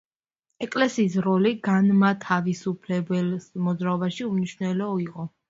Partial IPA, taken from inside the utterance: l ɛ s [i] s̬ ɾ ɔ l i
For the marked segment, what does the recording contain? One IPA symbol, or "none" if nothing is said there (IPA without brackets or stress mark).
iː